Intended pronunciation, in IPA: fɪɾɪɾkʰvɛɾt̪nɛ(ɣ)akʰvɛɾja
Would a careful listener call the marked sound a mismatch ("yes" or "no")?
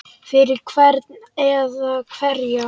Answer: yes